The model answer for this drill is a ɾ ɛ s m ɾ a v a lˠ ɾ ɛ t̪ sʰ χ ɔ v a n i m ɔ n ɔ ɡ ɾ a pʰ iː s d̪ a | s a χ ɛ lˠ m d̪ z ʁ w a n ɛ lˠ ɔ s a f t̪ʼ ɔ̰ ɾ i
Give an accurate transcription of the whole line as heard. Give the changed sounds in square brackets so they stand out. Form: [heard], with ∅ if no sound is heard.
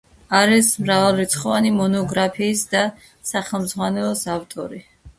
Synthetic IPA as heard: a ɾ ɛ s m ɾ a v a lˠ ɾ [i] t̪ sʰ χ ɔ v a n i m ɔ n ɔ ɡ ɾ a pʰ iː s d̪ a | s a χ ɛ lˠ m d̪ z ʁ w a n ɛ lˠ ɔ s a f t̪ʼ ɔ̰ ɾ i